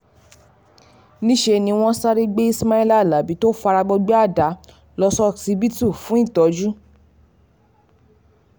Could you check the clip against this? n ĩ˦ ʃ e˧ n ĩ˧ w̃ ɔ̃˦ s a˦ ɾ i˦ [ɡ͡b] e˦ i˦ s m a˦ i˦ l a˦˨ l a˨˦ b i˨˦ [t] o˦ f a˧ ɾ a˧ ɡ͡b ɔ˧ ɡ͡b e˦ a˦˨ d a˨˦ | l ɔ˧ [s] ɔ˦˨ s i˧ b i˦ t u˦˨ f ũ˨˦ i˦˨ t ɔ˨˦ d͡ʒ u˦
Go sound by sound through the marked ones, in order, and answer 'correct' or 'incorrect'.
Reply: correct, correct, correct

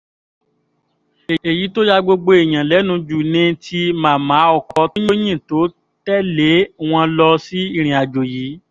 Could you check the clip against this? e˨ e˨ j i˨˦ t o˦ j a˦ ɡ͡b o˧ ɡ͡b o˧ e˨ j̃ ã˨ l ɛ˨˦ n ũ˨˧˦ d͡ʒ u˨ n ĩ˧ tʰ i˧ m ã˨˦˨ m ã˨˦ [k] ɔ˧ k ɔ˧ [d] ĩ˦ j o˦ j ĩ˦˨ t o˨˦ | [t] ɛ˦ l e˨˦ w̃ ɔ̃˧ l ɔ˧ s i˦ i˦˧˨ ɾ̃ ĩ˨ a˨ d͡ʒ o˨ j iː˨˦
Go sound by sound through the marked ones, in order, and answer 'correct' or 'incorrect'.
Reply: incorrect, incorrect, correct

